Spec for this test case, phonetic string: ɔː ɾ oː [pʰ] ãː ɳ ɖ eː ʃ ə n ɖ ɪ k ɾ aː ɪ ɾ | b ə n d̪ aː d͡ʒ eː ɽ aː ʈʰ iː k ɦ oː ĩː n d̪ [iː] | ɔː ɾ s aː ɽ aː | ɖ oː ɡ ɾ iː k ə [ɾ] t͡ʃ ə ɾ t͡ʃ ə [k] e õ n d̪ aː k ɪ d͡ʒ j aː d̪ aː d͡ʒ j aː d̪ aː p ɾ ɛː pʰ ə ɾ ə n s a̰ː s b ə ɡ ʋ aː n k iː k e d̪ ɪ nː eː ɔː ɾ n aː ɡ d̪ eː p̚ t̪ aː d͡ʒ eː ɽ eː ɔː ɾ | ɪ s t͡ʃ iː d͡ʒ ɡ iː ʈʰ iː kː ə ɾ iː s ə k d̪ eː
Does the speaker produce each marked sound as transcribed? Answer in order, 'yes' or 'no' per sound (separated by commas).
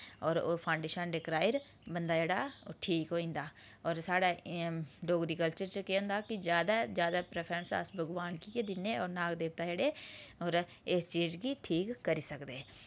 yes, no, no, yes